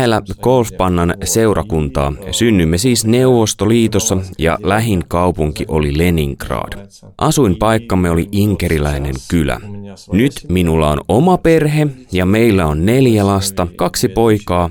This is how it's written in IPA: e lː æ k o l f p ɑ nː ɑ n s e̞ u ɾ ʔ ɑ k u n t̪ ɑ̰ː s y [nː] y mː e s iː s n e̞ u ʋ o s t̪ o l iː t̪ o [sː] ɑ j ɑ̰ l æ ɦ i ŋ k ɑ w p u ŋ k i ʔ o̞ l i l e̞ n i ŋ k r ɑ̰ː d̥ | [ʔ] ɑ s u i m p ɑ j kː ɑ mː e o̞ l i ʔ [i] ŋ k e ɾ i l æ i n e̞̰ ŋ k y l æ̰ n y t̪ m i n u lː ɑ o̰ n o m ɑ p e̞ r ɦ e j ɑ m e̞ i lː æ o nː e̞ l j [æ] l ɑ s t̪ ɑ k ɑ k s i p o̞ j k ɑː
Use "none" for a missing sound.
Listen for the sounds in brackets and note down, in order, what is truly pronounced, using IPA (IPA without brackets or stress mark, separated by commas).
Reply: nː, sː, ʔ, i, æ